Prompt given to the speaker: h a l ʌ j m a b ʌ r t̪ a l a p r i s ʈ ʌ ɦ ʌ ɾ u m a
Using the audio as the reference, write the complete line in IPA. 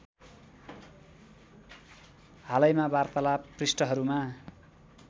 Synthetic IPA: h a l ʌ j m a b a r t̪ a l a p r i s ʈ ʌ ɦ ʌ ɾ u m a